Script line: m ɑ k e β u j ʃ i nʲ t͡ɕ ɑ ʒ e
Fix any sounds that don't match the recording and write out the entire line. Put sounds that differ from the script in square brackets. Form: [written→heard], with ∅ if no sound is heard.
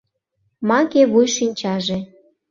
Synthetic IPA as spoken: m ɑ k e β u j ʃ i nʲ t͡ɕ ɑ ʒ e